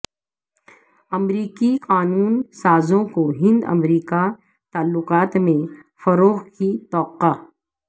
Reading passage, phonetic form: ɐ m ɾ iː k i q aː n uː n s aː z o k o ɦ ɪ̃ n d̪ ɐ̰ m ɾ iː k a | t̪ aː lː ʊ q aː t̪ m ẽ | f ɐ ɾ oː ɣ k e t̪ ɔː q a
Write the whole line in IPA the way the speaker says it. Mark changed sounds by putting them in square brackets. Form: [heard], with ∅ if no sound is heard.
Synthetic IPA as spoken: ɐ m ɾ iː k i q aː n uː n s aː z [õ] k o ɦ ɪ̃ n d̪ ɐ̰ m ɾ iː k a | t̪ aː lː ʊ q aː t̪ m ẽ | f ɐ ɾ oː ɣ k [i] t̪ ɔː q a

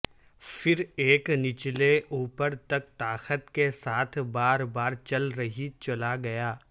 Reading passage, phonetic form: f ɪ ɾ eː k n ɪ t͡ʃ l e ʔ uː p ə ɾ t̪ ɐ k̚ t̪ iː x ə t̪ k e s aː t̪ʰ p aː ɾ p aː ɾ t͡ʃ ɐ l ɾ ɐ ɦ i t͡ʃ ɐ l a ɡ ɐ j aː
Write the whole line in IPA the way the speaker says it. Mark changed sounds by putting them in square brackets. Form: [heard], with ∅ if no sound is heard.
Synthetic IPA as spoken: f ɪ ɾ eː k n ɪ t͡ʃ l e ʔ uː p ə ɾ t̪ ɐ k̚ t̪ [aː] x ə t̪ k e s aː t̪ʰ [b] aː ɾ [b] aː ɾ t͡ʃ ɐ l ɾ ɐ ɦ i t͡ʃ ɐ l a ɡ ɐ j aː

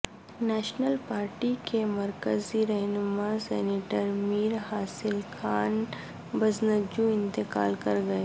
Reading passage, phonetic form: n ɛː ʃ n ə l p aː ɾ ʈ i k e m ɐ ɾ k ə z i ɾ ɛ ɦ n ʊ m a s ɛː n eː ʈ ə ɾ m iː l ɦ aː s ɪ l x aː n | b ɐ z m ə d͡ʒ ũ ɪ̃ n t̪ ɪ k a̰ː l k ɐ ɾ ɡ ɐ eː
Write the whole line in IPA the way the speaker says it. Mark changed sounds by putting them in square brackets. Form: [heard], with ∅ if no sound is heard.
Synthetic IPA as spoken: n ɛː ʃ n ə l p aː ɾ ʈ i k e m ɐ ɾ k ə z i ɾ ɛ ɦ n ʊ m a s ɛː n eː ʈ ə ɾ m iː [ɾ] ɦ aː s ɪ l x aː n | b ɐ z [n] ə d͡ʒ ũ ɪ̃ n t̪ ɪ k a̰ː l k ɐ ɾ ɡ ɐ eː

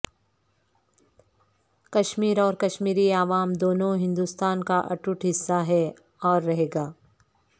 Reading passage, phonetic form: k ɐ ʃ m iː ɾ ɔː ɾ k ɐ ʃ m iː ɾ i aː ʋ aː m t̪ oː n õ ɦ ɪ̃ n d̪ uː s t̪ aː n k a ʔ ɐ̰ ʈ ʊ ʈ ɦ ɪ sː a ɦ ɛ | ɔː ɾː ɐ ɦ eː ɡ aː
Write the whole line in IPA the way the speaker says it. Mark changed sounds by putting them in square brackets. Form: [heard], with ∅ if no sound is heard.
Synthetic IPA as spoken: k ɐ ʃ m iː ɾ ɔː ɾ k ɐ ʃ m iː ɾ i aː ʋ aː m [d̪] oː n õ ɦ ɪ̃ n d̪ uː s t̪ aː n k a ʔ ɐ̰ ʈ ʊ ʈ ɦ ɪ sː a ɦ ɛ | ɔː ɾː ɐ ɦ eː ɡ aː

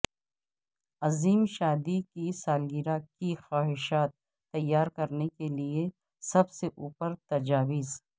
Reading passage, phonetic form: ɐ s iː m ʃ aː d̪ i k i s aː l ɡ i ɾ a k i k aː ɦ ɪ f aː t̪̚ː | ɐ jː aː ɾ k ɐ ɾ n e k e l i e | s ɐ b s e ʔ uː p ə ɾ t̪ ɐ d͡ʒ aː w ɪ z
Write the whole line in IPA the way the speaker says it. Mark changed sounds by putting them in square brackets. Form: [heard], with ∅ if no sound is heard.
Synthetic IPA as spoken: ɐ [z] iː m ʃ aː d̪ i k i s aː l ɡ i ɾ a k i [x] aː ɦ ɪ [ʃ] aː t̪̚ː | ɐ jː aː ɾ k ɐ ɾ n e k e l i e | s ɐ b s e ʔ uː p ə ɾ t̪ ɐ d͡ʒ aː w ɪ z

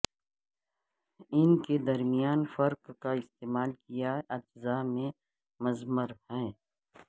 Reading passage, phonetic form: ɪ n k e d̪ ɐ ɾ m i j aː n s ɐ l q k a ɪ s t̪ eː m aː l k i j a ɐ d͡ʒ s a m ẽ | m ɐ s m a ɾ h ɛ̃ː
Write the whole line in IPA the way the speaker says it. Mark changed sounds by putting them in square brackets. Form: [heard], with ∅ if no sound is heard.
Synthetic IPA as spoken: ɪ n k e d̪ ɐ ɾ m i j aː n [f] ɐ [ɾ] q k a ɪ s t̪ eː m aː l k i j a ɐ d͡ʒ [z] a m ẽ | m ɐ [z] m [ə] ɾ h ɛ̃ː

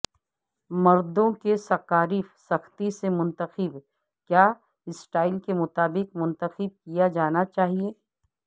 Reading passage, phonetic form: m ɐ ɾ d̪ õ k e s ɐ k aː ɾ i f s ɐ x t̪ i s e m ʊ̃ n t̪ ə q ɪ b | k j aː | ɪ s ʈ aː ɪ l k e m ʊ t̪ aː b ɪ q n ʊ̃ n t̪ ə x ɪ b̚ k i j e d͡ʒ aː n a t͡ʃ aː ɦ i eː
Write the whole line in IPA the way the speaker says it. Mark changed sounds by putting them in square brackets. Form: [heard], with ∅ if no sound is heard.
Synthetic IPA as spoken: m ɐ ɾ d̪ õ k e s ɐ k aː ɾ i f s ɐ x t̪ i s e m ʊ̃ n t̪ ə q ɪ b | k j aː | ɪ s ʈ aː ɪ l k e m ʊ t̪ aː b ɪ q [m] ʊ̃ n t̪ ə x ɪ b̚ k i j [a] d͡ʒ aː n a t͡ʃ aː ɦ i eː

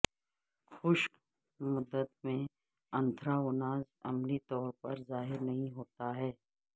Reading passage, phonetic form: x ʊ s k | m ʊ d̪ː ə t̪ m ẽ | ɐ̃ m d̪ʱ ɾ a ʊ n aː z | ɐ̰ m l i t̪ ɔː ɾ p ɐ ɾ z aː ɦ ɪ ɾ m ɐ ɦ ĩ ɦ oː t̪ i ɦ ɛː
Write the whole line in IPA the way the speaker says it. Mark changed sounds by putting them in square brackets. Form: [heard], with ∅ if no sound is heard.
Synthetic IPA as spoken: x ʊ [ʃ] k | m ʊ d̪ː ə t̪ m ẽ | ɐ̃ [n] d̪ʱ ɾ a ʊ n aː z | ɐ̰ m l i t̪ ɔː ɾ p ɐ ɾ z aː ɦ ɪ ɾ [n] ɐ ɦ ĩ ɦ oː t̪ [a] ɦ ɛː

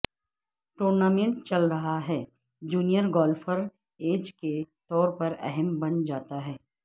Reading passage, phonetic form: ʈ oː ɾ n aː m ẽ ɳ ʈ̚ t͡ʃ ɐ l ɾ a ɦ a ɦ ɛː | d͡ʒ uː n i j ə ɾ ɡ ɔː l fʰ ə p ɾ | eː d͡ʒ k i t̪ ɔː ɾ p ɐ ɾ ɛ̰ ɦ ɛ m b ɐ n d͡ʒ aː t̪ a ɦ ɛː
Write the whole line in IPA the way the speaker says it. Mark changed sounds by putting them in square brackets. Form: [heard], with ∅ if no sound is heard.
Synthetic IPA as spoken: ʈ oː ɾ n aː m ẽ ɳ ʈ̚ t͡ʃ ɐ l ɾ [ɐ] ɦ a ɦ ɛː | d͡ʒ uː n i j ə ɾ ɡ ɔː l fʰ ə [∅] ɾ | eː d͡ʒ k [e] t̪ ɔː ɾ p ɐ ɾ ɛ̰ ɦ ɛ m b ɐ n d͡ʒ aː t̪ a ɦ ɛː

